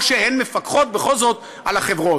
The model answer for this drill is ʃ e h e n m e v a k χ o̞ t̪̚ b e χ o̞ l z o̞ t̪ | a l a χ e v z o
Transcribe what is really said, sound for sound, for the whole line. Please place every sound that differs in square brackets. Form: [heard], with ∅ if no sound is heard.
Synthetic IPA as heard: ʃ e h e n m e [f] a k χ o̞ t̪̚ b e χ o̞ l z o̞ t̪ | a l a χ e v [ʁ] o